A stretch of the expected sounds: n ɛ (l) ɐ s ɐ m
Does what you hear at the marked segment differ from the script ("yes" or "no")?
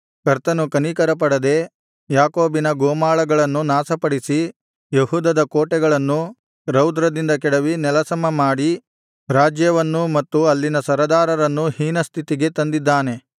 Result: no